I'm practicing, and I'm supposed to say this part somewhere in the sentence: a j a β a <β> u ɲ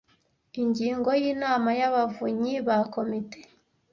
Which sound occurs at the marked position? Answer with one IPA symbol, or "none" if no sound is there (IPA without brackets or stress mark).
v